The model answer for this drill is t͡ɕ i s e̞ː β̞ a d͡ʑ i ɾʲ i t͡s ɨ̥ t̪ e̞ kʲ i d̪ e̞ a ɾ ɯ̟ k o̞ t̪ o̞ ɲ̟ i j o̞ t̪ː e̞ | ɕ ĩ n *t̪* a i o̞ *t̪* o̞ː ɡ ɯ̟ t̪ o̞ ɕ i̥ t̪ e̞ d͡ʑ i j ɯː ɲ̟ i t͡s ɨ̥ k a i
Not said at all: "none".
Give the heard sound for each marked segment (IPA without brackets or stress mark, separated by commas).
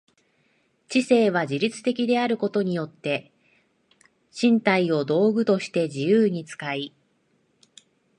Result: t̪, d̪